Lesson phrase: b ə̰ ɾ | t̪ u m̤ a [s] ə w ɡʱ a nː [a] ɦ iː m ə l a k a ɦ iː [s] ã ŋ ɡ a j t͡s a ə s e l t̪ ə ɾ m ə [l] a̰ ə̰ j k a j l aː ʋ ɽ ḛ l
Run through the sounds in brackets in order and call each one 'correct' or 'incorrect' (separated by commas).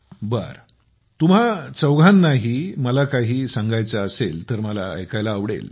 incorrect, correct, correct, correct